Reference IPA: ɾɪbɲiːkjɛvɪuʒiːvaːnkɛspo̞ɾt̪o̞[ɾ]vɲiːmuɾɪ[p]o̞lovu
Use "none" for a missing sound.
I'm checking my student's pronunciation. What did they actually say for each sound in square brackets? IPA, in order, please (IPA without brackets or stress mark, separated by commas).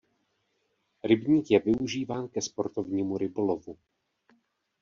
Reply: none, b